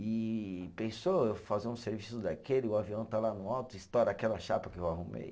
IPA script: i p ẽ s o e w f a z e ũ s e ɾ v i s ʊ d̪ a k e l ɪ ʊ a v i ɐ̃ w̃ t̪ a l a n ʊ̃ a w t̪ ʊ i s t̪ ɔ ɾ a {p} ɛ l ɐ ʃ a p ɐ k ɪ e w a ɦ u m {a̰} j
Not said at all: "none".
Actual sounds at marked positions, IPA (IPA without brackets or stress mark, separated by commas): k, ḛ